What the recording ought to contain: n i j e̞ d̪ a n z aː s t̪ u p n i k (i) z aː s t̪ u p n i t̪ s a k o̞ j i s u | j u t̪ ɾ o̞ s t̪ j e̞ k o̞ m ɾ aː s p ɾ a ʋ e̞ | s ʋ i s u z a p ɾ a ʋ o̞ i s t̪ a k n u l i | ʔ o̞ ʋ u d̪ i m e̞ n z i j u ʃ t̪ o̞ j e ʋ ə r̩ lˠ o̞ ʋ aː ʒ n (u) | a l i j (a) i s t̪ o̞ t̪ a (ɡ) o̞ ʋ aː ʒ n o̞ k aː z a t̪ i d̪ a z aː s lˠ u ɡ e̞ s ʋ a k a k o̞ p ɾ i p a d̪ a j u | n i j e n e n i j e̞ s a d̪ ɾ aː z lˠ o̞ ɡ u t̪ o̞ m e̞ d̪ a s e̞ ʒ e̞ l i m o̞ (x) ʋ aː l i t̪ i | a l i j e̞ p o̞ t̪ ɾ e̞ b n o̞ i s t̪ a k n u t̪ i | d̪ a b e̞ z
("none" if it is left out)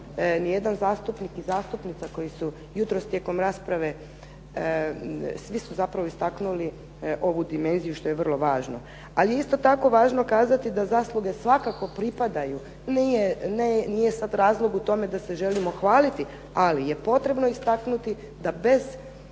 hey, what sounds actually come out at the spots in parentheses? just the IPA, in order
i, o, e, k, x

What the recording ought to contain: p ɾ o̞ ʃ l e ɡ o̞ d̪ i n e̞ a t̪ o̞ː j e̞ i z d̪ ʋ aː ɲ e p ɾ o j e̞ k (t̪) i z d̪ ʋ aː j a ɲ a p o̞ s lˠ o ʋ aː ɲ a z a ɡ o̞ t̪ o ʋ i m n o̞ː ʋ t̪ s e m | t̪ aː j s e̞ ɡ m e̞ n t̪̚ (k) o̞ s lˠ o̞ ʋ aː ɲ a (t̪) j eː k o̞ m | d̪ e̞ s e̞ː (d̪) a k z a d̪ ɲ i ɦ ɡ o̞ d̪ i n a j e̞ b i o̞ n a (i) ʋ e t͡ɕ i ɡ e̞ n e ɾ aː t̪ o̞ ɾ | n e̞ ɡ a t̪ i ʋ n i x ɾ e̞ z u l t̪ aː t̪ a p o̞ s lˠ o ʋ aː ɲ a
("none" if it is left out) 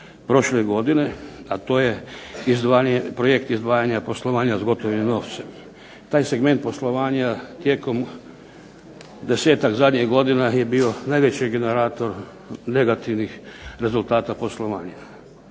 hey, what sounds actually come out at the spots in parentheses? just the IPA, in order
t̪, p, t̪, t̪, j

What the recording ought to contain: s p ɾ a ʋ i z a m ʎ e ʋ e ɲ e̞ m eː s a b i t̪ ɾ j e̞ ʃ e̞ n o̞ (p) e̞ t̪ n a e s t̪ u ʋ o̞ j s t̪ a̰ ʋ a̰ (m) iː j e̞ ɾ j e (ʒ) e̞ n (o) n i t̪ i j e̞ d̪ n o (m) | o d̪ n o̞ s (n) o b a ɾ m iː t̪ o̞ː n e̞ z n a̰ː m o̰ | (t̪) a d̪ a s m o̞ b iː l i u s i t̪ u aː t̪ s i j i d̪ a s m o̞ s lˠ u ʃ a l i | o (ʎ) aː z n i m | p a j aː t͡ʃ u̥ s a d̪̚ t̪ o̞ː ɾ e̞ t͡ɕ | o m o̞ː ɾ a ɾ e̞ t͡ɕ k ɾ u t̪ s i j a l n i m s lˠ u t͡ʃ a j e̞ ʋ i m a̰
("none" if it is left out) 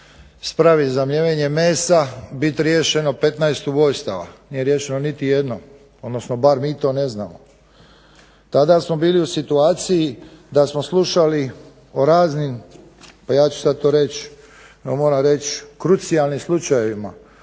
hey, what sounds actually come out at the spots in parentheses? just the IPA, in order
p, n, ʃ, o, m, n, t̪, ɾ

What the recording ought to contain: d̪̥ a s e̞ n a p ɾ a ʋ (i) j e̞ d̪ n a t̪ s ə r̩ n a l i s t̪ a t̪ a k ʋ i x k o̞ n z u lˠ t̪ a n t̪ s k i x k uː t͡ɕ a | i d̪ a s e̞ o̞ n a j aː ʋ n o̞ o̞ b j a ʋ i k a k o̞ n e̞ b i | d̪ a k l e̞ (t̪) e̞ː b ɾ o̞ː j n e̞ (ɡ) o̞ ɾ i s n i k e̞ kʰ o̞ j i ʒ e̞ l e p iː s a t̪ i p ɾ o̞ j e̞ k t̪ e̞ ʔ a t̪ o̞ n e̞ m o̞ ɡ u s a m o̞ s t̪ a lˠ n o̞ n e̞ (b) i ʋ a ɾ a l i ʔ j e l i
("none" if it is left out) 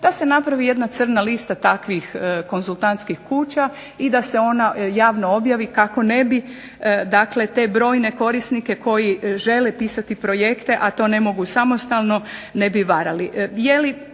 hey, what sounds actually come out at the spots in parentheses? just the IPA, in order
i, t̪, k, b

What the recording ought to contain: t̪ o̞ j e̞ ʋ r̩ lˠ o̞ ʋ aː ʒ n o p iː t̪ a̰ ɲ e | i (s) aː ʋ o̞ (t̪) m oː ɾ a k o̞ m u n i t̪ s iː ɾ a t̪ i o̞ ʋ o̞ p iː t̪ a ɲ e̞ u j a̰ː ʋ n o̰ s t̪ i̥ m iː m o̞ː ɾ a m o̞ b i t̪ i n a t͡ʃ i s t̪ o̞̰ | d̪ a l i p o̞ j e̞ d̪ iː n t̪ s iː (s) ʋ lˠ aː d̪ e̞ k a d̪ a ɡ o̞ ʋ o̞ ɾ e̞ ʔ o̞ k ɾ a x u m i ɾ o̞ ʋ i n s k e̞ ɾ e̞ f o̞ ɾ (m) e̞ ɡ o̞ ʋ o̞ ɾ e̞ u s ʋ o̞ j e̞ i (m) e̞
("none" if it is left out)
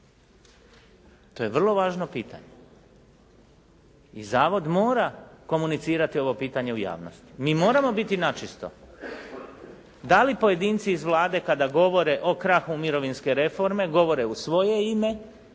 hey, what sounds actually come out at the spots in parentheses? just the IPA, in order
z, d̪, z, m, m

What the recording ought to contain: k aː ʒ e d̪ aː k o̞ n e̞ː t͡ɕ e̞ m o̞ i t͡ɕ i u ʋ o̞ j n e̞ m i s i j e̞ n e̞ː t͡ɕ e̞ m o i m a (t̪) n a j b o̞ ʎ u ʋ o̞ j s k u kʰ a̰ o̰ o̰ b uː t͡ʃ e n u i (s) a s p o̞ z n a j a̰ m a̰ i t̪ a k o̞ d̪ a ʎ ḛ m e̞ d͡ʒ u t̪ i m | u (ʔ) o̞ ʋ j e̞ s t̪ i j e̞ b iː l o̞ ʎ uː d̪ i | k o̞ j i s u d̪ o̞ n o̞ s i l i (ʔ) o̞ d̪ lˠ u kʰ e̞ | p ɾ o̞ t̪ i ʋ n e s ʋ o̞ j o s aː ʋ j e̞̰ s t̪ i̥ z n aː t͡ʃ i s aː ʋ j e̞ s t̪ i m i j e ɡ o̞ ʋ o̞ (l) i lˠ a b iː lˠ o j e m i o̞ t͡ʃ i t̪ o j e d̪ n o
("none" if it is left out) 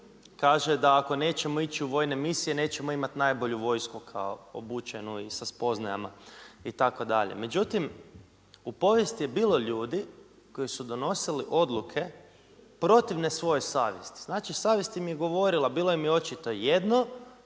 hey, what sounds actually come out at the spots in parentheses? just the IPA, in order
t̪, s, p, ʔ, ɾ

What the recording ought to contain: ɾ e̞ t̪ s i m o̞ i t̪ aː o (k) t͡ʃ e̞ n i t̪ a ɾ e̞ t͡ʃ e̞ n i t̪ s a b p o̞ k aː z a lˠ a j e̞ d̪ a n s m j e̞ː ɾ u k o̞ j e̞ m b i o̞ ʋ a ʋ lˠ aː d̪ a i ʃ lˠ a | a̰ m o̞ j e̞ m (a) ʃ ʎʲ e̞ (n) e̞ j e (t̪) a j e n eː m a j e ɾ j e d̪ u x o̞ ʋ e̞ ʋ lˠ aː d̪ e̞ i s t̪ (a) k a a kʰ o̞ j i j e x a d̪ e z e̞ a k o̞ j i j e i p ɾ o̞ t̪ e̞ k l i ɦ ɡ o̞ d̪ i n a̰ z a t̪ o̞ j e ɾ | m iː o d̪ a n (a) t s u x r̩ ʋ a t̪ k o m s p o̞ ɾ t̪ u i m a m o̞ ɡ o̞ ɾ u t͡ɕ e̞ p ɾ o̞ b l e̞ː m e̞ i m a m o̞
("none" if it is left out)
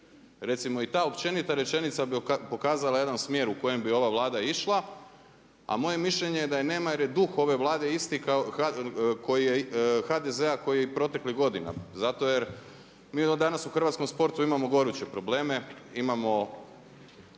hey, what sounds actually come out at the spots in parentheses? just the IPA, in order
p, i, ɲ, d̪, i, a

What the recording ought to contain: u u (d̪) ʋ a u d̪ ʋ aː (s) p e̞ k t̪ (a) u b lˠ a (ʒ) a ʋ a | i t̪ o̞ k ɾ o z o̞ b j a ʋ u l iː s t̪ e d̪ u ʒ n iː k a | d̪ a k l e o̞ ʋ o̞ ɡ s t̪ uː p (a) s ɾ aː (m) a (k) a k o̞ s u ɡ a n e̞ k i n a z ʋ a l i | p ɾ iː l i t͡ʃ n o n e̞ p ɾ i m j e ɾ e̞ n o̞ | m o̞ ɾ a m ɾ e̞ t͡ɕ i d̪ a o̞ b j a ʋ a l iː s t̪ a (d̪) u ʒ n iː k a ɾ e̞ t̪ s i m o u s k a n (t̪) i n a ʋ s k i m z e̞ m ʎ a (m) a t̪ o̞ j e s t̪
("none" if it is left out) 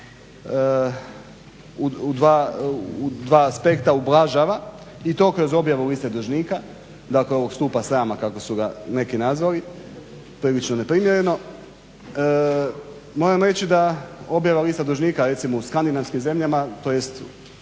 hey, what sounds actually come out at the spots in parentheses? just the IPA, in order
d̪, s, a, ʒ, a, m, k, d̪, d̪, m

